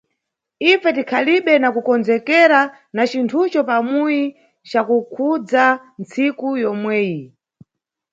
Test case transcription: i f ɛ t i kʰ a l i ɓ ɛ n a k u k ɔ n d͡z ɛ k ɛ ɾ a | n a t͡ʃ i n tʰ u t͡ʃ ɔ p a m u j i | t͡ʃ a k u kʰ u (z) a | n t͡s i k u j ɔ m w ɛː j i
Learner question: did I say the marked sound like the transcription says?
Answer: no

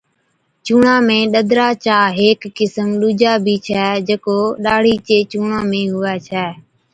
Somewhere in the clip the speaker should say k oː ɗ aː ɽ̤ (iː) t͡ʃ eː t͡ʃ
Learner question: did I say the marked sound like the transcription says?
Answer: yes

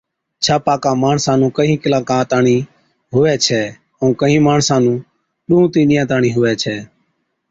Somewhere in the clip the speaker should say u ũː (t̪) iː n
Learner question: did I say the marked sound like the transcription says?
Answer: yes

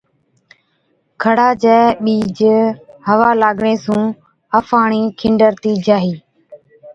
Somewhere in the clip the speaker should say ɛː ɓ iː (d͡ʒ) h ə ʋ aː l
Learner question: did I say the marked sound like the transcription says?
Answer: yes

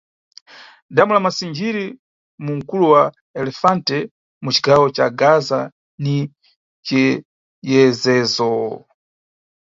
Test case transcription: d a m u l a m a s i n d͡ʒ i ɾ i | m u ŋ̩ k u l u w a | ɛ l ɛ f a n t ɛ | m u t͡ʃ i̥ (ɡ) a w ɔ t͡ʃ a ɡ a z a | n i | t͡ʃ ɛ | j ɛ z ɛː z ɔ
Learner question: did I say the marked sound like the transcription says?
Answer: yes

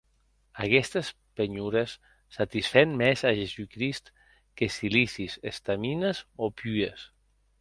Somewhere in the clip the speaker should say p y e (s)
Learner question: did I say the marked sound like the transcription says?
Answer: yes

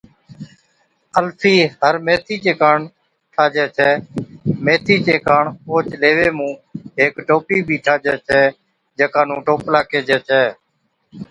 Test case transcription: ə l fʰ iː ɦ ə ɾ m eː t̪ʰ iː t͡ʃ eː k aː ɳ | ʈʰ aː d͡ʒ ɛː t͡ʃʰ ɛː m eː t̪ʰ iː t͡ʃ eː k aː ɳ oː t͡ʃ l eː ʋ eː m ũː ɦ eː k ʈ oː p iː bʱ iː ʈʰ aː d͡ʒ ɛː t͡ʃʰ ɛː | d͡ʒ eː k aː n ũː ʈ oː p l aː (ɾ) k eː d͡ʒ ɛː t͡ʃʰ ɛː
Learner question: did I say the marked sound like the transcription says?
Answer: no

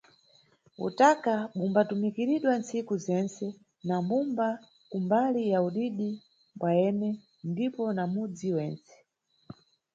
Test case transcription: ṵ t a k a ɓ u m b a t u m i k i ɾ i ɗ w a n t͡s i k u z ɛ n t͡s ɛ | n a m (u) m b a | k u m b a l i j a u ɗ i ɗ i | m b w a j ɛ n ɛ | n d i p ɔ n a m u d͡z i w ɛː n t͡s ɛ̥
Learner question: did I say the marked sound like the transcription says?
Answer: yes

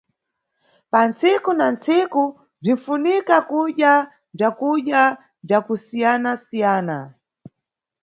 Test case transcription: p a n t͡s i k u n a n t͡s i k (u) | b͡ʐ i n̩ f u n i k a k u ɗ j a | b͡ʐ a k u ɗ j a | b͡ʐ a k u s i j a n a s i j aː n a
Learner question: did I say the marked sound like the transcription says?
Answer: yes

